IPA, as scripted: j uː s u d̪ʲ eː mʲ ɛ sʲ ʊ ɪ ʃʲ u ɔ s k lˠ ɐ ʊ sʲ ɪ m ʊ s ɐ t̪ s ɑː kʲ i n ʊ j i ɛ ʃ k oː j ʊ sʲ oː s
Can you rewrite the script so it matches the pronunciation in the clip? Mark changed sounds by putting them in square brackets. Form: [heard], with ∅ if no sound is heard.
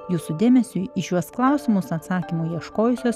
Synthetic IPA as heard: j uː s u d̪ʲ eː mʲ ɛ sʲ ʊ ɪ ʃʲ u ɔ s k lˠ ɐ ʊ sʲ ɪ m ʊ s ɐ t̪ s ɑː kʲ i [m] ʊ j i ɛ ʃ k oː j ʊ sʲ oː s